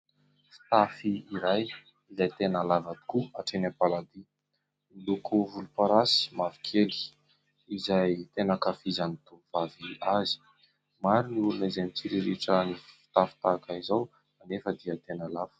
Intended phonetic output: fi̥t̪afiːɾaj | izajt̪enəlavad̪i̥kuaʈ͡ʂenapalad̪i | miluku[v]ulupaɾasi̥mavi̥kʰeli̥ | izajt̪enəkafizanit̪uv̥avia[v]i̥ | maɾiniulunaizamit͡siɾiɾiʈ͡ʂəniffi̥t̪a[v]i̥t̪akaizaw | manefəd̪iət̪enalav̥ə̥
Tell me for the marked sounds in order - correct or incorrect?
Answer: correct, incorrect, incorrect

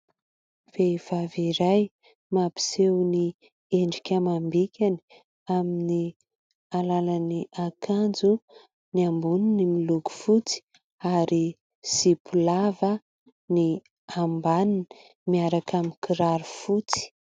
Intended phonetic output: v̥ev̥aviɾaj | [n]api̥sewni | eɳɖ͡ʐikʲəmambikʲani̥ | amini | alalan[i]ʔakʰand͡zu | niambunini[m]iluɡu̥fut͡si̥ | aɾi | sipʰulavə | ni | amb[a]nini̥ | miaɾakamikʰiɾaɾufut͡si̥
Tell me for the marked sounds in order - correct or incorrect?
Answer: incorrect, correct, correct, correct

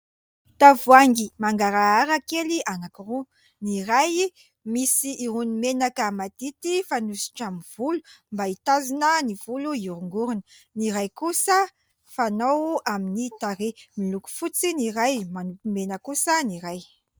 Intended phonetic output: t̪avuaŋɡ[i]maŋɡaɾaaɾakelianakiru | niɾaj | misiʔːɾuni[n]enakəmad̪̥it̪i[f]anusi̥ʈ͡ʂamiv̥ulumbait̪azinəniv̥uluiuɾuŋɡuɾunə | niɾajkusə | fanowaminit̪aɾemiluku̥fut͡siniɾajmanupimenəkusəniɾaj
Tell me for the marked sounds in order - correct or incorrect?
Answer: correct, incorrect, correct

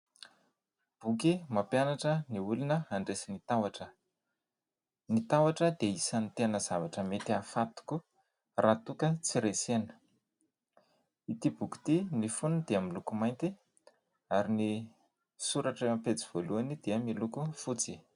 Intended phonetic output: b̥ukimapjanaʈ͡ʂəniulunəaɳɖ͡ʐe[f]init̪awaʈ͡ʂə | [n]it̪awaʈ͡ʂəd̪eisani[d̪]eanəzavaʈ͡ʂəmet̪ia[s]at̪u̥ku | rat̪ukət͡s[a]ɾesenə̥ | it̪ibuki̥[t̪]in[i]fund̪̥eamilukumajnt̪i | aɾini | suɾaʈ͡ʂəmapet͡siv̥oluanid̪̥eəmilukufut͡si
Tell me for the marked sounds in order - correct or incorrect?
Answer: incorrect, correct, incorrect, incorrect, incorrect, correct, correct

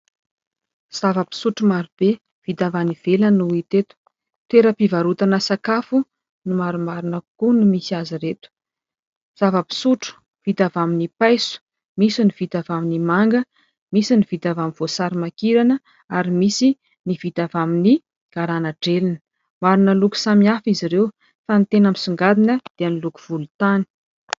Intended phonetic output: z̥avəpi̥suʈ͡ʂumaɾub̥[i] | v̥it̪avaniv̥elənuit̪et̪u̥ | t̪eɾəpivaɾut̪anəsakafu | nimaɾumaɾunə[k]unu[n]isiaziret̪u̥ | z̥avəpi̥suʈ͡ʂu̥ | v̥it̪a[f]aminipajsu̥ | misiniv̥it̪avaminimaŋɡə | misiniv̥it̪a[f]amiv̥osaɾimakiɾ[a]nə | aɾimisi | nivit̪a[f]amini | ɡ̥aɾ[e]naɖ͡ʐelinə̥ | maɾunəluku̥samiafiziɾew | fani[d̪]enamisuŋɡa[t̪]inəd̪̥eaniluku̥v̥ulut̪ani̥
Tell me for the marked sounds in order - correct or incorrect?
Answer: incorrect, correct, incorrect, incorrect, incorrect, correct, incorrect, incorrect, incorrect, incorrect

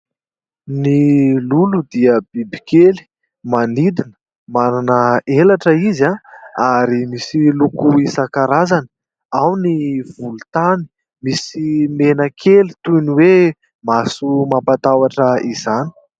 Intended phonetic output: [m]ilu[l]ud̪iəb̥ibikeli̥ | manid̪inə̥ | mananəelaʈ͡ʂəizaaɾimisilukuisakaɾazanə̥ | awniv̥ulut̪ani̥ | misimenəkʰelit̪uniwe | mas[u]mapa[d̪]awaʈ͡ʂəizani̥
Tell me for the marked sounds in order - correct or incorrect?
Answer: incorrect, correct, correct, incorrect

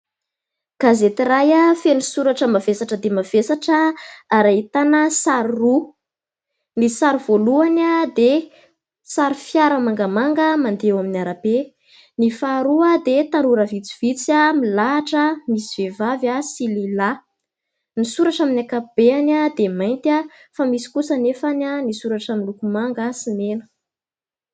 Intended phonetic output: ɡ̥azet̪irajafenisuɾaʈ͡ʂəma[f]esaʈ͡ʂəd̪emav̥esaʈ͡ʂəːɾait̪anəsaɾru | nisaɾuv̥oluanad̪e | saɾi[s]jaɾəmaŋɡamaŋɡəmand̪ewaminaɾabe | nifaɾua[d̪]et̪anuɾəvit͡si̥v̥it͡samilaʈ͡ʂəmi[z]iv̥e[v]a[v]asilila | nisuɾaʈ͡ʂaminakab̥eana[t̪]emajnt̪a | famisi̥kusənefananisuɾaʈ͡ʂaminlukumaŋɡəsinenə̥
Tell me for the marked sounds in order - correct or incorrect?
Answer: incorrect, incorrect, correct, incorrect, correct, correct, incorrect

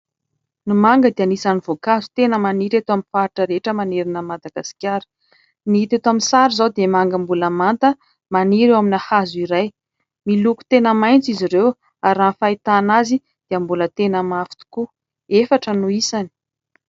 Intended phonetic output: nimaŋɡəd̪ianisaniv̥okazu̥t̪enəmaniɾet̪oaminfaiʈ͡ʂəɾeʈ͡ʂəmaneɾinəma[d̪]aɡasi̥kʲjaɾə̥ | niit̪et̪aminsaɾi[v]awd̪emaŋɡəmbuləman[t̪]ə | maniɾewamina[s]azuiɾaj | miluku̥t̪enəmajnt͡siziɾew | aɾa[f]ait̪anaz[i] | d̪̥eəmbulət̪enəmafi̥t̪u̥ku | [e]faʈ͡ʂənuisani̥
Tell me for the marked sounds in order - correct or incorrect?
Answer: correct, incorrect, correct, incorrect, correct, correct, correct

